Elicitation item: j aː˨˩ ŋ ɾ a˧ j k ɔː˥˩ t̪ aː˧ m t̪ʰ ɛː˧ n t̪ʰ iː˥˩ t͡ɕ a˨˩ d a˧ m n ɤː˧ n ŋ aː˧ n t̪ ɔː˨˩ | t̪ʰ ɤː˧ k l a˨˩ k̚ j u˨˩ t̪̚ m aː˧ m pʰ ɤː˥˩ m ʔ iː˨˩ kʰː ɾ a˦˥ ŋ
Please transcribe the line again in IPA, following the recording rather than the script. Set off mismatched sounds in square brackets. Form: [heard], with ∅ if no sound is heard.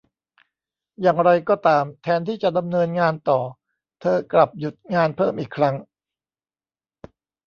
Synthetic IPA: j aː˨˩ ŋ ɾ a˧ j k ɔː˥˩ t̪ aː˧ m t̪ʰ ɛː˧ n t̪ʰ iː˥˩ t͡ɕ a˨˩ d a˧ m n ɤː˧ n ŋ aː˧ n t̪ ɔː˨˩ | t̪ʰ ɤː˧ k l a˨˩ [p̚] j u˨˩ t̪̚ [ŋ] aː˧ [n] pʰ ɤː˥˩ m ʔ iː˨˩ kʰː ɾ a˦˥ ŋ